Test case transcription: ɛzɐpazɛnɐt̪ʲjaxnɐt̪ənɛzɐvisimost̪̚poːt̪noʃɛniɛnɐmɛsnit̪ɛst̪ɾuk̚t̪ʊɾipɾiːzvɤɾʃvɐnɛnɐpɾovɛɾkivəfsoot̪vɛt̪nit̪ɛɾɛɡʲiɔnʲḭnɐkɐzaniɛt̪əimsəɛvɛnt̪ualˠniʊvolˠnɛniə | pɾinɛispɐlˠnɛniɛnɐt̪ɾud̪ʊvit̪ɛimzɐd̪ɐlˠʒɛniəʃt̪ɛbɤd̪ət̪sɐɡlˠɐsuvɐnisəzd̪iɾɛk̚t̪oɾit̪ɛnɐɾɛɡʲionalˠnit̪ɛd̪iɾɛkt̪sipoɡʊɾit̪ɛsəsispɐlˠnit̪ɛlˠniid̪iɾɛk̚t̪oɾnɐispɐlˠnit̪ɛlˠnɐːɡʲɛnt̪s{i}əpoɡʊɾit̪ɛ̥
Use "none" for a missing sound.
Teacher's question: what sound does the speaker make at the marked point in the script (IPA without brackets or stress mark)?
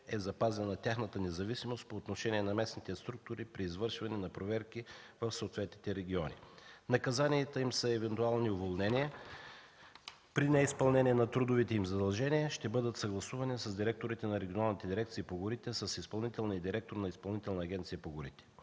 i